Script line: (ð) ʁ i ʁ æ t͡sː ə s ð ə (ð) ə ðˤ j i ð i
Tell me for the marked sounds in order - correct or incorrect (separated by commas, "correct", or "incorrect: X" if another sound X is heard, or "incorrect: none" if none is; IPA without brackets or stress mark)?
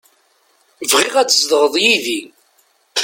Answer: incorrect: v, incorrect: ʁ